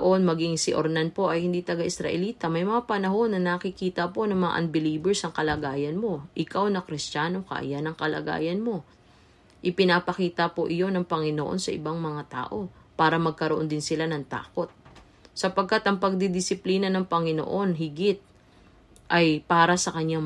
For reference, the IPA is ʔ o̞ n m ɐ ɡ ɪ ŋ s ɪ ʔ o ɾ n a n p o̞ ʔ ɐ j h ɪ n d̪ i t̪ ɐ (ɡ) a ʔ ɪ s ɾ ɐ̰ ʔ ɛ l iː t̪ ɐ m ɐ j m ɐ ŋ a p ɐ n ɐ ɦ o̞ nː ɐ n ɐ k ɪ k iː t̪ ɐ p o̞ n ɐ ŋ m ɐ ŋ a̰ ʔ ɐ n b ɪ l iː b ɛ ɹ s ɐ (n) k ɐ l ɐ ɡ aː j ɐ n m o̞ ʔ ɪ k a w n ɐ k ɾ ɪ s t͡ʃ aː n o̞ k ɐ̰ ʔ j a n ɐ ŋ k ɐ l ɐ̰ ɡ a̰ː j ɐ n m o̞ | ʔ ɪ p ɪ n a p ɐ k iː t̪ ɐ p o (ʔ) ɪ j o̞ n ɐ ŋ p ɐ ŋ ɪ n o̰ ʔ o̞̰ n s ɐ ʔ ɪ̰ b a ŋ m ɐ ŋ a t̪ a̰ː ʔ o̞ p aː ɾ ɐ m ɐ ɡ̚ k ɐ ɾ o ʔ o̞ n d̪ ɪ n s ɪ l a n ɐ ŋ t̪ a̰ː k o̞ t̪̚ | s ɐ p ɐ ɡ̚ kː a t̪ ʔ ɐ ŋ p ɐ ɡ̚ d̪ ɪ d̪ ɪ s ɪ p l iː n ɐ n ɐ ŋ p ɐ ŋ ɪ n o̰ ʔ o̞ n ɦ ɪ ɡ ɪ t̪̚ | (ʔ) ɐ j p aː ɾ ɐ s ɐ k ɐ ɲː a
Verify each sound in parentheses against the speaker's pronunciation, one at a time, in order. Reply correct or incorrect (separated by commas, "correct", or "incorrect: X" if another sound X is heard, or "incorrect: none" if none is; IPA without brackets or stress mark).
correct, incorrect: ŋ, correct, correct